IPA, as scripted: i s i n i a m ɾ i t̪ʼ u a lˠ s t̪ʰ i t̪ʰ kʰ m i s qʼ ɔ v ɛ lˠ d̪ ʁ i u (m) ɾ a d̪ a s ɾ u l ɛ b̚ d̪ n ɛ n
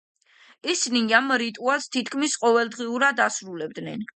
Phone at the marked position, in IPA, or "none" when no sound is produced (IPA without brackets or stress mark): none